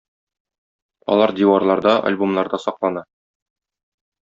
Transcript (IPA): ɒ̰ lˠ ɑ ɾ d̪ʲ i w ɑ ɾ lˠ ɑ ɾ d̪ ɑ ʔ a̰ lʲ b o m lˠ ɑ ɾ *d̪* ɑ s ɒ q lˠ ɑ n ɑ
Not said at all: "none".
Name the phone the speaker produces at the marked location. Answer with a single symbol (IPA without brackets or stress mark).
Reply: d̪